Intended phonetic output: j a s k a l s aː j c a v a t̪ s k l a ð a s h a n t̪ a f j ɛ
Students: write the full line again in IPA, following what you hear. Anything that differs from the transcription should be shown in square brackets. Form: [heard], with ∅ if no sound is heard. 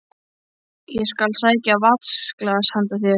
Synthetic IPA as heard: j [ɛ] s k a l s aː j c a v a t̪ s k l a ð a s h a n t̪ a [θ] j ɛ